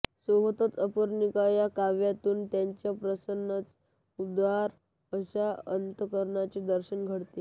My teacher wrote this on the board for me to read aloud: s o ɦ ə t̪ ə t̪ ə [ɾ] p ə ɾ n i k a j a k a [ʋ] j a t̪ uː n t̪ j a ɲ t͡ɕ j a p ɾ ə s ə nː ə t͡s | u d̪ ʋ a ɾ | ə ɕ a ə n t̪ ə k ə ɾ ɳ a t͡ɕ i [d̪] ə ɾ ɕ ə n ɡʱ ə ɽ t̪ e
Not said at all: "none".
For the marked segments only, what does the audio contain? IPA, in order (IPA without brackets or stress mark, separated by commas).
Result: none, ʋ, d̪